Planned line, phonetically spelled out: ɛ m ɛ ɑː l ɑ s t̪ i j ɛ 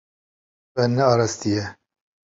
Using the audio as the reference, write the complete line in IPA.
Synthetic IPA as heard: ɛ n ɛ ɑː ɾ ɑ s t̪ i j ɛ